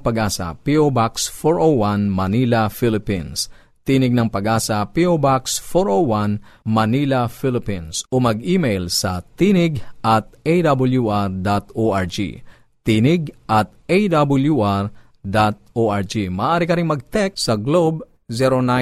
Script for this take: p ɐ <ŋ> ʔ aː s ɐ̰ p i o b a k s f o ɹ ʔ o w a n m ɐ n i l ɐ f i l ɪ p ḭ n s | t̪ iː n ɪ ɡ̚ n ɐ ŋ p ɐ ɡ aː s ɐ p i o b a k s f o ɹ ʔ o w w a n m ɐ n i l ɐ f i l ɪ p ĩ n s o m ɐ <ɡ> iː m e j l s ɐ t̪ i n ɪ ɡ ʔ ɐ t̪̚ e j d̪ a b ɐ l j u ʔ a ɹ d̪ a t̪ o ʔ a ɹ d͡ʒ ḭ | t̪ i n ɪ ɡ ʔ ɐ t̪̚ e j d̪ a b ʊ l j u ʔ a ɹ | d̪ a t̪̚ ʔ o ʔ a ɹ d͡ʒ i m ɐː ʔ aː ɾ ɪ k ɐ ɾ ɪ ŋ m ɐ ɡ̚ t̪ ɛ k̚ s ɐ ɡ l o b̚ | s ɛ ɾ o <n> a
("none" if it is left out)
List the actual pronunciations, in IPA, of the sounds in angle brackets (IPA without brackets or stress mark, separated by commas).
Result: ɡ, ɡ, n